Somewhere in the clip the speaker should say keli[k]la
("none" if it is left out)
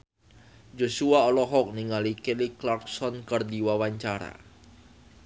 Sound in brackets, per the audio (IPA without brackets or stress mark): k